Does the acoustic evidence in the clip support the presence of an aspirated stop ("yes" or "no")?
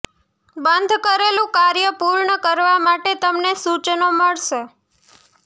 no